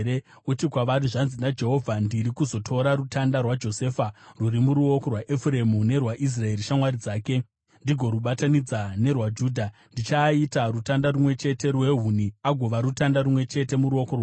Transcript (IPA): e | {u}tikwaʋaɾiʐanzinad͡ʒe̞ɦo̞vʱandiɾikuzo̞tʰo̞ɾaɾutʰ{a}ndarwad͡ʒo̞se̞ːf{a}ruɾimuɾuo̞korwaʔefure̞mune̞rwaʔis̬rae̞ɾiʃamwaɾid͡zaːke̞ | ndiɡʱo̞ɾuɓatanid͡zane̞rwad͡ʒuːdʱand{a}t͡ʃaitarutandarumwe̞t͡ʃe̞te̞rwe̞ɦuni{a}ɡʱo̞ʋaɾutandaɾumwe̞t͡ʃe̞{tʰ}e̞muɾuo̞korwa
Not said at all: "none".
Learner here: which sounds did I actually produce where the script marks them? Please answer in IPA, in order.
u, a, a, i, a, t

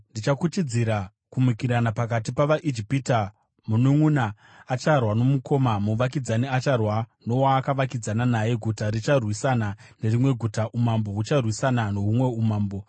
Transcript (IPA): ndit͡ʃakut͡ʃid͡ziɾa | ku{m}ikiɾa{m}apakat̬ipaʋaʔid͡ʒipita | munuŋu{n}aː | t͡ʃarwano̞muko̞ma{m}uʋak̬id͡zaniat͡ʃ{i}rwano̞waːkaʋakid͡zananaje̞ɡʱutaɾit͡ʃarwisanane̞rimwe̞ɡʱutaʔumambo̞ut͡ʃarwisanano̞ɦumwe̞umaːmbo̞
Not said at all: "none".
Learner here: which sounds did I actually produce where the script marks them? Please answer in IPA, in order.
m, n, n, m, a

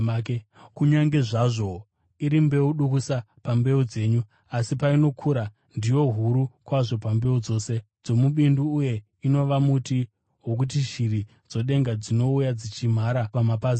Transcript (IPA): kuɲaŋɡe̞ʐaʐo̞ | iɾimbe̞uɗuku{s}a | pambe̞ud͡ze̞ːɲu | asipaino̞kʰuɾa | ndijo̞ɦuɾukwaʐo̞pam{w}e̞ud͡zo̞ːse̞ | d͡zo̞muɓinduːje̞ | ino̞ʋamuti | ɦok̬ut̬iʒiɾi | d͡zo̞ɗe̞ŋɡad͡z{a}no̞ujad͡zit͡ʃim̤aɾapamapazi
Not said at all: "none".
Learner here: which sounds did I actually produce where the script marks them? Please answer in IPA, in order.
s, b, i

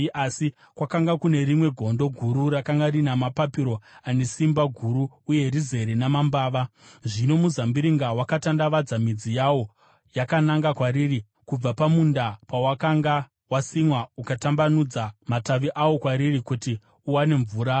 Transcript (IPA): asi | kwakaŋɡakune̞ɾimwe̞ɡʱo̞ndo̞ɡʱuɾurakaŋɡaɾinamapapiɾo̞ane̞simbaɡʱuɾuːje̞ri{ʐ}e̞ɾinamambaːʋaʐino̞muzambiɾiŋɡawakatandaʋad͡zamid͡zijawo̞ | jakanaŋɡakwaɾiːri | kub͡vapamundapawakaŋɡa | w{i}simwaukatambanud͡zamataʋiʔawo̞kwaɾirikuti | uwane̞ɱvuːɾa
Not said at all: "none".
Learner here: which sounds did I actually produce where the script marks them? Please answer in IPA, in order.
z, a

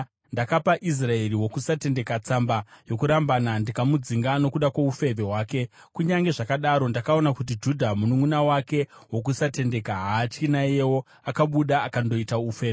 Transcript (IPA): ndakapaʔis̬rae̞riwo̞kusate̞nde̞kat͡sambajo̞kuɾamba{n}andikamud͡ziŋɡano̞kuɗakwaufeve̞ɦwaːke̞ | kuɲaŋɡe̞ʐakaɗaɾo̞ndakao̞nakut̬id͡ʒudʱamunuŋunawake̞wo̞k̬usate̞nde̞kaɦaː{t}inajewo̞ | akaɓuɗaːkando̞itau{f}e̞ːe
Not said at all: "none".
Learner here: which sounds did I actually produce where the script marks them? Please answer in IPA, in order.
n, t͡ʃ, f

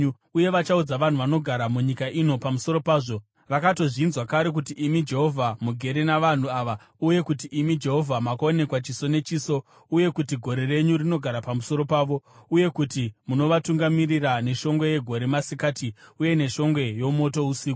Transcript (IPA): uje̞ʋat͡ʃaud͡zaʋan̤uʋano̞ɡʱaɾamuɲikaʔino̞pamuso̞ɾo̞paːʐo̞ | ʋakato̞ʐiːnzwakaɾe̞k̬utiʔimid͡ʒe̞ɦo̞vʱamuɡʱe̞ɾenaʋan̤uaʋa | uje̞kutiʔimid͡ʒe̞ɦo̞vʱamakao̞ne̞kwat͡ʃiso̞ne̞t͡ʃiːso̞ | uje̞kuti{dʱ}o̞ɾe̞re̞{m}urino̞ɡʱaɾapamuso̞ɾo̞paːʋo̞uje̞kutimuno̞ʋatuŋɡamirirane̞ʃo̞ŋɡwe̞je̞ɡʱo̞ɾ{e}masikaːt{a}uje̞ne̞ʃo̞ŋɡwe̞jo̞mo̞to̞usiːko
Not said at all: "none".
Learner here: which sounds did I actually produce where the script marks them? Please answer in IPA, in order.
ɡʱ, ɲ, e, i

